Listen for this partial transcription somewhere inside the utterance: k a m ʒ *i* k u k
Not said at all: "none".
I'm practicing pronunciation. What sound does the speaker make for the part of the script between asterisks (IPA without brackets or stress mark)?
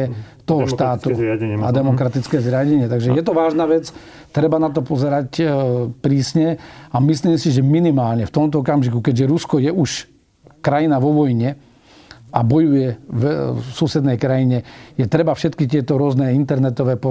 i